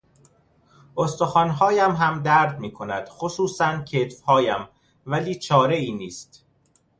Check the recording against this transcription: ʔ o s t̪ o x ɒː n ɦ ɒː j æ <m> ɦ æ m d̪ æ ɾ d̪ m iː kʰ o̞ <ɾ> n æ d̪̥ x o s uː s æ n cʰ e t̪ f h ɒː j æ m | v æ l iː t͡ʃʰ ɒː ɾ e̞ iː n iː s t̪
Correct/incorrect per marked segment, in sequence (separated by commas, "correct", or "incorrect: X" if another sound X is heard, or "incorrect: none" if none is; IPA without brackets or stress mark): correct, incorrect: none